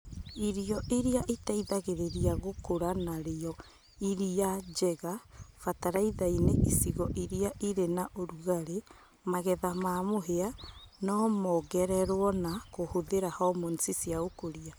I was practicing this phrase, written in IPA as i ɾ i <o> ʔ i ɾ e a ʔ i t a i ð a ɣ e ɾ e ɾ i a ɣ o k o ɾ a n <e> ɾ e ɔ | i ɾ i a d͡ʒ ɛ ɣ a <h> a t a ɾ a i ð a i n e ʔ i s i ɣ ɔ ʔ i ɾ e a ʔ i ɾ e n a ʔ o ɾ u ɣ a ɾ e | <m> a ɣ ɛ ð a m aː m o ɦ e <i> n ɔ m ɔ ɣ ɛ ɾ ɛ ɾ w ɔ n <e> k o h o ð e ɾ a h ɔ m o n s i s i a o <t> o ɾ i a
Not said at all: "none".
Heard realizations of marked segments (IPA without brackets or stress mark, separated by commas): ɔ, a, f, m, a, a, k